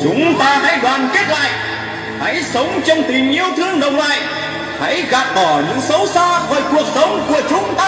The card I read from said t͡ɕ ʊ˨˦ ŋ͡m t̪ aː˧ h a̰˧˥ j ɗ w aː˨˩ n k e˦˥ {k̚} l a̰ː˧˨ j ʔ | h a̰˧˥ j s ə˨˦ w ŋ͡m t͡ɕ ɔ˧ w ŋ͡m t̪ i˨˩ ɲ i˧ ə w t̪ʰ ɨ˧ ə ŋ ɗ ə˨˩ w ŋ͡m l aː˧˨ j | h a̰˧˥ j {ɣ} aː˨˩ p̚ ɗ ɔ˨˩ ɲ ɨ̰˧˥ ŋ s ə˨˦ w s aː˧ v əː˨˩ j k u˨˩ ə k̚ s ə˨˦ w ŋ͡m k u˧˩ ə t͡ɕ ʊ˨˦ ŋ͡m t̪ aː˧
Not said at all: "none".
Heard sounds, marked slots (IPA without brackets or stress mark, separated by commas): t̚, ɣ